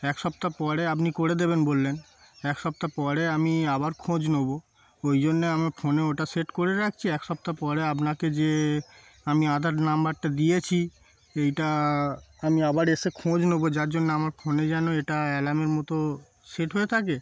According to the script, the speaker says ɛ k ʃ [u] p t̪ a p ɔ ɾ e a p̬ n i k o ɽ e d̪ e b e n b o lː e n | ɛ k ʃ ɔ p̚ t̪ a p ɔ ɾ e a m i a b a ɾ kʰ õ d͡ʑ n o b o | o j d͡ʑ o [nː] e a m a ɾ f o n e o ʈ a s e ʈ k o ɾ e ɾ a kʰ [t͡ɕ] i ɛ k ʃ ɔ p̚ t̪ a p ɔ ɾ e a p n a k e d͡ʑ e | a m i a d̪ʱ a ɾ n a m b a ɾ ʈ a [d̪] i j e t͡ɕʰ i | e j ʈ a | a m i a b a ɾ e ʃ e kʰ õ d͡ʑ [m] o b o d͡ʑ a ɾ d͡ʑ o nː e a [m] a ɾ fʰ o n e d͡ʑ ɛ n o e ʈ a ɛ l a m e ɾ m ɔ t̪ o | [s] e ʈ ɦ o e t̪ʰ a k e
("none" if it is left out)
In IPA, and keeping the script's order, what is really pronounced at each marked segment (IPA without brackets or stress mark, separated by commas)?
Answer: ɔ, nː, t͡ɕʰ, d̪, n, m, s